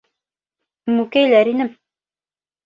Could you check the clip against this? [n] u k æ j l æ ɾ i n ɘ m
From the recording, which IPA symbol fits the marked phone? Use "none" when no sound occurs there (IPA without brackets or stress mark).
m